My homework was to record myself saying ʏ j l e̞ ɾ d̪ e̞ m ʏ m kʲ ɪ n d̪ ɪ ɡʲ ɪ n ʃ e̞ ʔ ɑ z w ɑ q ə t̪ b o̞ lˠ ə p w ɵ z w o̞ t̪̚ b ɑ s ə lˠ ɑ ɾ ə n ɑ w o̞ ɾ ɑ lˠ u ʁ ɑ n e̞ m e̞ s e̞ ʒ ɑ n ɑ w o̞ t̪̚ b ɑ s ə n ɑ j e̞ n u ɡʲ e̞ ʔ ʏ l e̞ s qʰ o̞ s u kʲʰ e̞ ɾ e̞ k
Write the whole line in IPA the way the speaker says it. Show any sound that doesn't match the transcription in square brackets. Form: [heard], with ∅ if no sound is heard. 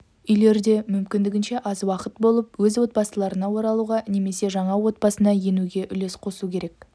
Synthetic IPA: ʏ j l e̞ ɾ d̪ e̞ m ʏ m kʲ ɪ n d̪ ɪ ɡʲ ɪ n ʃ e̞ ʔ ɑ z w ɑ q ə t̪ b o̞ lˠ ə p w ɵ z w o̞ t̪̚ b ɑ s ə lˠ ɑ ɾ ə n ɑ w o̞ ɾ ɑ lˠ u ʁ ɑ n e̞ m e̞ s e̞ ʒ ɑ [ɴ] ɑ w o̞ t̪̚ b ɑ s ə n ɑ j e̞ n u ɡʲ e̞ ʔ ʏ l e̞ s qʰ o̞ s u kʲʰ e̞ ɾ e̞ k